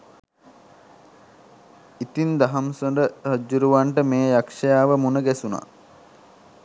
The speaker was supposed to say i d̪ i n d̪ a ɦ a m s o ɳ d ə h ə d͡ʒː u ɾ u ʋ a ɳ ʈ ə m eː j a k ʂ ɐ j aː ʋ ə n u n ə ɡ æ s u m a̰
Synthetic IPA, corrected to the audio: i t̪ i n d̪ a ɦ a m s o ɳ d ə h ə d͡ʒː u ɾ u ʋ a ɳ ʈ ə m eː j a k ʂ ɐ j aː ʋ ə m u n ə ɡ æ s u n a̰